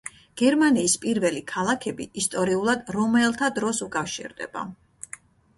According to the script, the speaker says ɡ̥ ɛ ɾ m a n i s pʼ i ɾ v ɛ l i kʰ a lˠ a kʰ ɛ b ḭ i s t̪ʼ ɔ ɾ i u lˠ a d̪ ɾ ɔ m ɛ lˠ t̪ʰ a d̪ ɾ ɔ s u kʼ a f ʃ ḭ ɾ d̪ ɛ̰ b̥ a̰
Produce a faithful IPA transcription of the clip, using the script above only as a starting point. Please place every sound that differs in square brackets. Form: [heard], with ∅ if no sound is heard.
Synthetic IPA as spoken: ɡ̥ ɛ ɾ m a n [iː] s pʼ i ɾ v ɛ l i kʰ a lˠ a kʰ ɛ b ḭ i s t̪ʼ ɔ ɾ i u lˠ a d̪ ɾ ɔ m ɛ lˠ t̪ʰ a d̪ ɾ ɔ s u kʼ a f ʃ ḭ ɾ d̪ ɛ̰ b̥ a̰

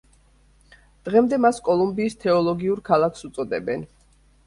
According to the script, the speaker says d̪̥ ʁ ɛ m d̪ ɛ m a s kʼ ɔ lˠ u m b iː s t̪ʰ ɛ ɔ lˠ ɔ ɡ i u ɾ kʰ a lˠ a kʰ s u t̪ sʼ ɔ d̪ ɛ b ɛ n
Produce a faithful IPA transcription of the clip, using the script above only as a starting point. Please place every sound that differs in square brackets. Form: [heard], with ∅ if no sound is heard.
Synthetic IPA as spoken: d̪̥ ʁ ɛ m d̪ ɛ m a s kʼ ɔ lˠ u m b iː s t̪ʰ ɛ ɔ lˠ ɔ ɡ i u ɾ kʰ a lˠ a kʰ s u t̪ sʼ ɔ d̪ ɛ b ɛ n

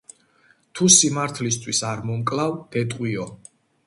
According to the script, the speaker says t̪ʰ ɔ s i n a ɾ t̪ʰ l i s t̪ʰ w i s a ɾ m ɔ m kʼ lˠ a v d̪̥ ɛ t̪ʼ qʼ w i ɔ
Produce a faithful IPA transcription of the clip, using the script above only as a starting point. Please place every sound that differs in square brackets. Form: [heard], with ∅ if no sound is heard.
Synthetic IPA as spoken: t̪ʰ [u] s i [m] a ɾ t̪ʰ l i s t̪ʰ w i s a ɾ m ɔ m kʼ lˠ a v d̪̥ ɛ t̪ʼ qʼ w i ɔ

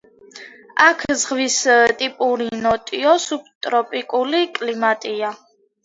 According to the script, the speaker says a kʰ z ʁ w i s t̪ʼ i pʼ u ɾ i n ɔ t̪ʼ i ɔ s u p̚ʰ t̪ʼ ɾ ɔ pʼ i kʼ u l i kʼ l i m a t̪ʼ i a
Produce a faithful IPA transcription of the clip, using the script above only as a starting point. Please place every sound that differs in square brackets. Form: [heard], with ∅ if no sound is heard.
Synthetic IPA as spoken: a kʰ z ʁ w i s t̪ʼ i pʼ u ɾ i n ɔ t̪ʼ i ɔ s u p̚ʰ t̪ʼ ɾ ɔ pʼ i kʼ u l i kʼ l i m a t̪ʼ i a

